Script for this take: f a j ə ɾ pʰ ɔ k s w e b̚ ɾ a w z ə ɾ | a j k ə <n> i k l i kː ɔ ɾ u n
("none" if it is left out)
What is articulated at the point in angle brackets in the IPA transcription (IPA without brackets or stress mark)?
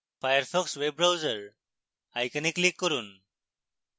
n